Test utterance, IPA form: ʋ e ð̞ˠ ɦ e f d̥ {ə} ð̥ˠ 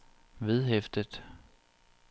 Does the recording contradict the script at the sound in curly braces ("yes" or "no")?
no